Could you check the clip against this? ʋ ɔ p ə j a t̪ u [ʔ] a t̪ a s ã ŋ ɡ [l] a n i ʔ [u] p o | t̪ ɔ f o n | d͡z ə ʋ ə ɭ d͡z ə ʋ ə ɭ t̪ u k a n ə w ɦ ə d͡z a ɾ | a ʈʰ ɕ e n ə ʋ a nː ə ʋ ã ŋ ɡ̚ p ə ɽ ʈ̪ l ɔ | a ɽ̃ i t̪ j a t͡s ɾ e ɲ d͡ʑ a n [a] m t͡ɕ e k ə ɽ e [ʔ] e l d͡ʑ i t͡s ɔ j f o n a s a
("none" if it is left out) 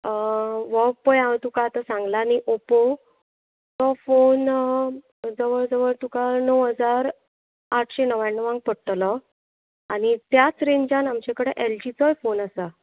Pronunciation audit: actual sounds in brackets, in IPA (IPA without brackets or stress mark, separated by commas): k, l, o, a, ʔ